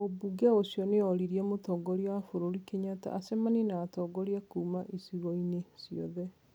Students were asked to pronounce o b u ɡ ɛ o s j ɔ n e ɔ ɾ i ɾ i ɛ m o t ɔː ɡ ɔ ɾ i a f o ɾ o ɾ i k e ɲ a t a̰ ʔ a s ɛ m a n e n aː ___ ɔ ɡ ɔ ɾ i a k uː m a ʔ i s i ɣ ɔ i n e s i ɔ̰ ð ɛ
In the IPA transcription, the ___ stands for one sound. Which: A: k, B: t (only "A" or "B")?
B